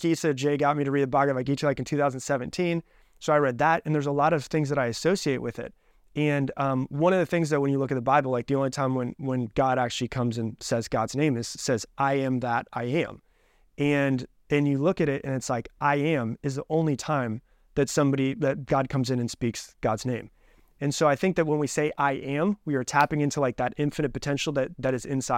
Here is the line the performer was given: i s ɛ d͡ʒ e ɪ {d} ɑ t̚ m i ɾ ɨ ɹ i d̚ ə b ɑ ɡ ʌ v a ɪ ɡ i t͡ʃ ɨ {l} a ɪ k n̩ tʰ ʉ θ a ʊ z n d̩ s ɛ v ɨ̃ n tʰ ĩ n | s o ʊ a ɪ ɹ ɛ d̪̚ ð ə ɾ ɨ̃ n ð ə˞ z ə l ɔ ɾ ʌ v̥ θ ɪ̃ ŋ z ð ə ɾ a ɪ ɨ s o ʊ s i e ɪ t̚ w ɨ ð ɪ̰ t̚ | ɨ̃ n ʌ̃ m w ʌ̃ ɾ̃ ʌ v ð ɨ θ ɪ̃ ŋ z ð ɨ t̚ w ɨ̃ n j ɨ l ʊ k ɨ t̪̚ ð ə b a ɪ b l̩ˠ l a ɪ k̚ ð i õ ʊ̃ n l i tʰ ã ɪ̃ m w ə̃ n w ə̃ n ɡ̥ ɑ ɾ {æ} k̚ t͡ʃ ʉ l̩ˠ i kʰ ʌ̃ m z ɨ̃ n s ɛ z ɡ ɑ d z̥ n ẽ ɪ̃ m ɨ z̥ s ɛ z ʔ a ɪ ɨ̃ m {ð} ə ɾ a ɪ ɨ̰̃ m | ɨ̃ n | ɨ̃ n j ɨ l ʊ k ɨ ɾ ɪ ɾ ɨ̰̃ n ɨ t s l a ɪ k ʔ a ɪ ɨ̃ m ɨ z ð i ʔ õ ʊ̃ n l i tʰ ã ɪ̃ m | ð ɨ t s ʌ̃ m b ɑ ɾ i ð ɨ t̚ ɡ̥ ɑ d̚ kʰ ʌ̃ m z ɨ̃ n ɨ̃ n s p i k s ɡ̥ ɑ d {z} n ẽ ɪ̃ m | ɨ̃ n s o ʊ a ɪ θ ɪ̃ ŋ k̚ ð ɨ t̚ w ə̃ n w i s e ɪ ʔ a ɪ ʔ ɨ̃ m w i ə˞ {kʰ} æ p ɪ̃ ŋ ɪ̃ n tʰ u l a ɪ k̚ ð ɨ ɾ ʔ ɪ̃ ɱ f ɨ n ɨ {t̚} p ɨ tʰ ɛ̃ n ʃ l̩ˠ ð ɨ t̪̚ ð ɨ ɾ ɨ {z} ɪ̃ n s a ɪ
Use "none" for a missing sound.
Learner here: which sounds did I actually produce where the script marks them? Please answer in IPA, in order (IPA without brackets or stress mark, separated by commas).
ɡ, l, æ, ð, z, tʰ, t̚, z